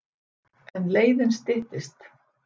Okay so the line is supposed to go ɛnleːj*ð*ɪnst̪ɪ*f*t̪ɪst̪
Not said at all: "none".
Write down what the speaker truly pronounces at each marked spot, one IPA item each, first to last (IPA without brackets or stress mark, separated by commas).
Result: ð, h